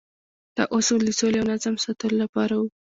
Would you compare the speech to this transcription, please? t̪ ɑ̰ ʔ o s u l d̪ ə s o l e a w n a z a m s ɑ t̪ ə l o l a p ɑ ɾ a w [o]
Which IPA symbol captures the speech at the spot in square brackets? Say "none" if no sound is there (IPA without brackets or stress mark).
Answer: u